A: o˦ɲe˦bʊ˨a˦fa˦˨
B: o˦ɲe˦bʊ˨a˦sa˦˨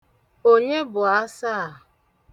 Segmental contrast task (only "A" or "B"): B